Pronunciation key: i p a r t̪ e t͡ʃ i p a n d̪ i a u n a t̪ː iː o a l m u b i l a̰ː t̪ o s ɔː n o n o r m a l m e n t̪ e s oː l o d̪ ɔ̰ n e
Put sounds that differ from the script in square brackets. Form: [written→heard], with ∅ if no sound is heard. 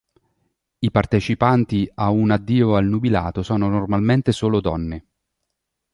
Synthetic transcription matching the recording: i p a r t̪ e t͡ʃ i p a n [d̪→t̪] i a u n a [t̪ː→d̪ː] iː o a l [m→n] u b i l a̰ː t̪ o s ɔː n o n o r m a l m e n t̪ e s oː l o d̪ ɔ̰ [n→nː] e